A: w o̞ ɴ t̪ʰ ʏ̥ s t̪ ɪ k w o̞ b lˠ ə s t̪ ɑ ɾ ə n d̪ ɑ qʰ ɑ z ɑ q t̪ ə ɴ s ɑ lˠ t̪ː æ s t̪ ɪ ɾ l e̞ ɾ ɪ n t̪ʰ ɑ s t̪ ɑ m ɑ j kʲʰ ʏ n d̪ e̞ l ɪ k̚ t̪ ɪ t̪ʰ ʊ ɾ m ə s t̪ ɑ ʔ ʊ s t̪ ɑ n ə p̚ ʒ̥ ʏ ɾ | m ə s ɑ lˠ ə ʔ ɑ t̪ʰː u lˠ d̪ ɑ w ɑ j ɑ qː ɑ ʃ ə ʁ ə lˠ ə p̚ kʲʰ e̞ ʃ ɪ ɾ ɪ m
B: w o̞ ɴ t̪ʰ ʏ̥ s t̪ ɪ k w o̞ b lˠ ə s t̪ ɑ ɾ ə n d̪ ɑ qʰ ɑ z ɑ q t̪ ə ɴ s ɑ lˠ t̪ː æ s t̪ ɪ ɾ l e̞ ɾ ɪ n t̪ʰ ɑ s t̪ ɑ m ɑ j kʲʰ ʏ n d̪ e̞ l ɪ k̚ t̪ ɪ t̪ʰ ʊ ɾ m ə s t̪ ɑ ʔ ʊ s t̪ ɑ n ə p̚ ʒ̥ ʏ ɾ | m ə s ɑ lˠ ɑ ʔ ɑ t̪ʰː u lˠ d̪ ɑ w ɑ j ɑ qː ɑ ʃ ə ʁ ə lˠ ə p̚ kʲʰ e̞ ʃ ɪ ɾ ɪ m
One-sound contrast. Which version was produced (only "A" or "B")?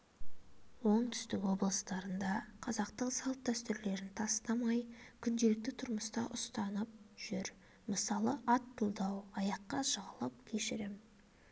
A